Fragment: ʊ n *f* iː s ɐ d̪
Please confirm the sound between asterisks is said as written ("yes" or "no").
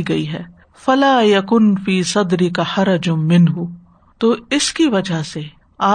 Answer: yes